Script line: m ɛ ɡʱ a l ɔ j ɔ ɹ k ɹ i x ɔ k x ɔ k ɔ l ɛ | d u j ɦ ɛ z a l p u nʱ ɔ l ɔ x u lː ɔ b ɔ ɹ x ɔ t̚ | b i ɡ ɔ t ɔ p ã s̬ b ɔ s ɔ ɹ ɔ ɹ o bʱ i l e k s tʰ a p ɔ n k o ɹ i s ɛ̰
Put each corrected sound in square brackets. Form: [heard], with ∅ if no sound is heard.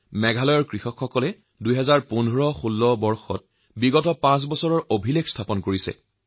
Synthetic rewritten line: m ɛ ɡʱ a l ɔ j ɔ ɹ k ɹ i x ɔ k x ɔ k ɔ l ɛ | d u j ɦ ɛ z a [ɹ] p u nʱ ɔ [ɹ] ɔ x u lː ɔ b ɔ ɹ x ɔ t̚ | b i ɡ ɔ t ɔ p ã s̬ b ɔ s ɔ ɹ ɔ ɹ o bʱ i l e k s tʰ a p ɔ n k o ɹ i s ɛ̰

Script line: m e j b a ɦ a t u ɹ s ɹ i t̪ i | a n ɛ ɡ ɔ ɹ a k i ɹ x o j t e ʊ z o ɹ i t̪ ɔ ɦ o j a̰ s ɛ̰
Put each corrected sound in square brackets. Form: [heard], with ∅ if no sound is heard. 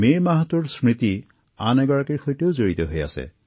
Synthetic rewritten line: m e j [m] a ɦ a t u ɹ s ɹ i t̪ i | a n ɛ ɡ ɔ ɹ a k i ɹ x o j t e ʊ z o ɹ i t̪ ɔ ɦ o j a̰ s ɛ̰

